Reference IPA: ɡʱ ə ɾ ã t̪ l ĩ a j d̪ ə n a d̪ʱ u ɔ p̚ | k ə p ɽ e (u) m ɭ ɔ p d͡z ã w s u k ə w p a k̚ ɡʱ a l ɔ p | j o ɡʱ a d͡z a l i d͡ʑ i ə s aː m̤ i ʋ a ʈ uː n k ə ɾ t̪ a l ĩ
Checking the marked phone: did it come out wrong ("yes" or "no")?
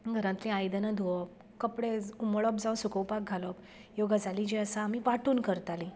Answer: no